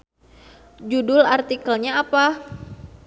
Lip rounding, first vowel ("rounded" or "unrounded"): rounded